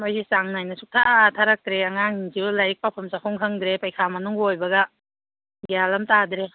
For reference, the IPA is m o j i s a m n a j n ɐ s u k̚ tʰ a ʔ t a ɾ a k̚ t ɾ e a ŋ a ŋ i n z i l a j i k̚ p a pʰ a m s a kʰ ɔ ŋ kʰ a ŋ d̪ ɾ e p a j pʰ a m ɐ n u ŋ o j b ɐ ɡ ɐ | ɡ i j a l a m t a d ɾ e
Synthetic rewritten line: m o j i s a ŋ n a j n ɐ s u k̚ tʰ a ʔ tʰ a ɾ a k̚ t ɾ e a ŋ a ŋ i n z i l a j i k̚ p a pʰ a m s a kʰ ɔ ŋ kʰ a ŋ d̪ ɾ e p a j kʰ a m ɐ n u ŋ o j b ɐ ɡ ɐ | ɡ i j a l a m t a d ɾ e